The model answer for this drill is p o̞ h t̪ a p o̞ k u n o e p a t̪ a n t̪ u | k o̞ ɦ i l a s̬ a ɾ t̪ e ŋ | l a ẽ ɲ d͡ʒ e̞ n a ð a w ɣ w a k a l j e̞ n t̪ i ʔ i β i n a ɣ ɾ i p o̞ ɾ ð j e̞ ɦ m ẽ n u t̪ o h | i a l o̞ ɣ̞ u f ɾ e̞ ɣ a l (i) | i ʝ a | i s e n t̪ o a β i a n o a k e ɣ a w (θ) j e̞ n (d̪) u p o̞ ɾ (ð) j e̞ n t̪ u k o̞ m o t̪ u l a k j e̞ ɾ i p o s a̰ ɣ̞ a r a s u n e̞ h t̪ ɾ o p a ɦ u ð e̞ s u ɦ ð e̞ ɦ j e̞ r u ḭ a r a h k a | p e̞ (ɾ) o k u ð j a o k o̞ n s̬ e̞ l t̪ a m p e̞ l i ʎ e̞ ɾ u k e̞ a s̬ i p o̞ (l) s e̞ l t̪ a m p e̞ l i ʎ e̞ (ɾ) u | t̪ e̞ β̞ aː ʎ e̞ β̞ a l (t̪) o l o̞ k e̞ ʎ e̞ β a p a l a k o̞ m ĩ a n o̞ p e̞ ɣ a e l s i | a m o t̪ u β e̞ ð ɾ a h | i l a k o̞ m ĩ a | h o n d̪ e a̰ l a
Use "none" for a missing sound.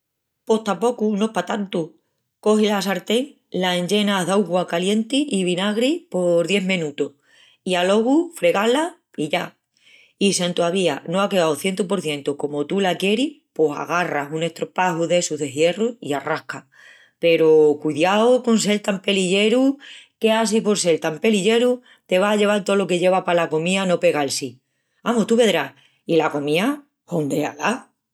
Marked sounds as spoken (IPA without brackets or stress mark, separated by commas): a, θ, t̪, θ, ɾ, ɾ, ɾ, t̪